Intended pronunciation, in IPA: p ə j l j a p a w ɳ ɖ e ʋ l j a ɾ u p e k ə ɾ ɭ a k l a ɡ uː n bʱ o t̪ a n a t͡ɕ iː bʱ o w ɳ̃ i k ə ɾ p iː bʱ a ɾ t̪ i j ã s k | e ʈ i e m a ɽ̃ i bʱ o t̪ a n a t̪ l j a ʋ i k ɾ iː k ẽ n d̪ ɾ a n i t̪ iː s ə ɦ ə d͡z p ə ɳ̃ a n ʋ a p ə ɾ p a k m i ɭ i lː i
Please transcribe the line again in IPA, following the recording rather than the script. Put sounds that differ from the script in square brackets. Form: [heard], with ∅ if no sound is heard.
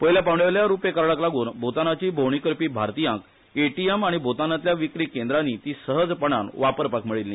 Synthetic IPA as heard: p ə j l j a p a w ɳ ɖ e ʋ l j a ɾ u p e k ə ɾ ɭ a k l a ɡ uː n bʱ o t̪ a n a t͡ɕ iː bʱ o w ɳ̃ i k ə ɾ p iː bʱ a ɾ t̪ i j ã [∅] k | e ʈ i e m a ɽ̃ i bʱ o t̪ a n a t̪ l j a ʋ i k ɾ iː k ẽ n d̪ ɾ a n i t̪ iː s ə ɦ ə d͡z p ə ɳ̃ a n ʋ a p ə ɾ p a k m i ɭ i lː i